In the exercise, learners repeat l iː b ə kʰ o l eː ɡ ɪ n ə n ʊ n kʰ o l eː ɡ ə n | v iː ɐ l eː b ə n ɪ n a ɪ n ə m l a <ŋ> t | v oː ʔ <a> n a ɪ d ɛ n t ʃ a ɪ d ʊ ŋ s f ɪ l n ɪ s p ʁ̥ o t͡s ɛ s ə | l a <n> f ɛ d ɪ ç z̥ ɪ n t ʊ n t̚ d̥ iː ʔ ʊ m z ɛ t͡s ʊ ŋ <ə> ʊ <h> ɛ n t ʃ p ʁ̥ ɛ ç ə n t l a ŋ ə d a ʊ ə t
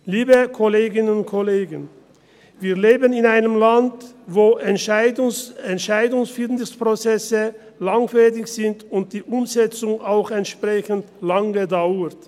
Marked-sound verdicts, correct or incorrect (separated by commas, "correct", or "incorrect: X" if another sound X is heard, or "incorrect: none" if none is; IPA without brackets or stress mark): incorrect: n, incorrect: ɛ, incorrect: ŋ, incorrect: a, incorrect: x